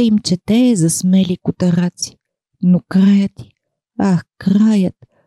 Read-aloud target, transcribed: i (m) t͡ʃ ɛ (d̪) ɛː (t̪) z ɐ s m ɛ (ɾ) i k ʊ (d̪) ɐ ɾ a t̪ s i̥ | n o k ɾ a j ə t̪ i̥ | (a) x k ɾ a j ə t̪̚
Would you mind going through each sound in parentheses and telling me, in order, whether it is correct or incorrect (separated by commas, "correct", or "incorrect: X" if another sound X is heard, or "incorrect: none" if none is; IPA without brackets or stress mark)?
correct, incorrect: t̪, incorrect: none, incorrect: l, incorrect: t̪, correct